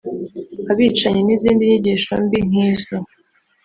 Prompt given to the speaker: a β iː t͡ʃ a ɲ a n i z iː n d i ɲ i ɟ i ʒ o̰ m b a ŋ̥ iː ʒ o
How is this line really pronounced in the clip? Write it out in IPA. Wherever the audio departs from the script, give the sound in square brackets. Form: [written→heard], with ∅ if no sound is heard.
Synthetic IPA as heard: a β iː t͡ʃ a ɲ [a→e] n i z iː n d i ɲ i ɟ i [ʒ→ʃ] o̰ m b [a→i] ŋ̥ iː [ʒ→z] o